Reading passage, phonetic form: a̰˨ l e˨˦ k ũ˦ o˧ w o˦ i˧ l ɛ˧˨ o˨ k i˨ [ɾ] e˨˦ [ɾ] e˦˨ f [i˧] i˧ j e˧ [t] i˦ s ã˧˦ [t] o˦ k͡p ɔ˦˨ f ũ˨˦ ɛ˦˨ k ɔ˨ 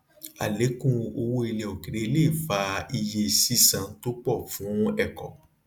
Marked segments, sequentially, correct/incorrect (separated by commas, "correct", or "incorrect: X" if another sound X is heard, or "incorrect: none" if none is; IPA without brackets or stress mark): correct, incorrect: l, incorrect: a˧, incorrect: s, correct